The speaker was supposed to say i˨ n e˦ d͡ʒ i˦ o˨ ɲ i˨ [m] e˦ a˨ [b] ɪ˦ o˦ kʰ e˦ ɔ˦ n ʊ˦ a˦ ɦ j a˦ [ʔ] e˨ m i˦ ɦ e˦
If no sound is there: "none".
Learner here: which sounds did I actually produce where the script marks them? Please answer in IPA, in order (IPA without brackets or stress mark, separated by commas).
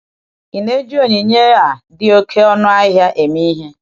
ɲ, d, ʔ